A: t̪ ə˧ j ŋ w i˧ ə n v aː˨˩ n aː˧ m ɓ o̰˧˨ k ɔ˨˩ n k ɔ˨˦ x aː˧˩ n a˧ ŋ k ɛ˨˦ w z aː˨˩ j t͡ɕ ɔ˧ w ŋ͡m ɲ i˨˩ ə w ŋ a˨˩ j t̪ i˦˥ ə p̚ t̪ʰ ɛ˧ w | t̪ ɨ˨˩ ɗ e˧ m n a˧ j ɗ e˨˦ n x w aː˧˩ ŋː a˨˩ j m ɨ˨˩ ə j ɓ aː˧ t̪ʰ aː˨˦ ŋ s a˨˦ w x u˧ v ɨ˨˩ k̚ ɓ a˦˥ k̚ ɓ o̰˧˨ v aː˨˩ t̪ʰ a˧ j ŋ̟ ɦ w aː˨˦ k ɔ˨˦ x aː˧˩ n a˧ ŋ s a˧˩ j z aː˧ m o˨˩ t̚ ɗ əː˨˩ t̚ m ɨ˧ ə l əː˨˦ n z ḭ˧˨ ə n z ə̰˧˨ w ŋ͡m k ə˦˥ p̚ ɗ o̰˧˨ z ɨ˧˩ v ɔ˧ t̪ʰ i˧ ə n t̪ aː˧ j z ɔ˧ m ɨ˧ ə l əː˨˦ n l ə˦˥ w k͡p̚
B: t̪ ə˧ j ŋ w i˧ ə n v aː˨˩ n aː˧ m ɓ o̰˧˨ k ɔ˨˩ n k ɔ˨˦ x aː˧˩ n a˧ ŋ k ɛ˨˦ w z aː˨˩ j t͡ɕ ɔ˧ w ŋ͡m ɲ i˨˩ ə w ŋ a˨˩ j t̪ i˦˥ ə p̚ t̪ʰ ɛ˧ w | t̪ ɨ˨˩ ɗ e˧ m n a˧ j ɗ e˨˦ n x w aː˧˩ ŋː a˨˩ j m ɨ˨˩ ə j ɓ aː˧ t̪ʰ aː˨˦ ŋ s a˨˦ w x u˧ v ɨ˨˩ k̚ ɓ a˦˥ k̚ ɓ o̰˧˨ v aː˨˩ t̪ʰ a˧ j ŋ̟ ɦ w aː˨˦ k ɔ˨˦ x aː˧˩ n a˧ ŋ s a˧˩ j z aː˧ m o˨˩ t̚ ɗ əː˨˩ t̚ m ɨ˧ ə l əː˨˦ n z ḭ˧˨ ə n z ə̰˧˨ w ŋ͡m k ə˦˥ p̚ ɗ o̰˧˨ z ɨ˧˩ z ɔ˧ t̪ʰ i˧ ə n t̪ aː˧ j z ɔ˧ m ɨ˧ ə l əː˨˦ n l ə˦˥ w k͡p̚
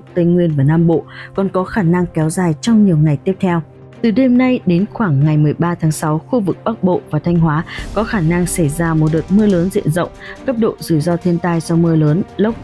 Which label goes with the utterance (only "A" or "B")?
B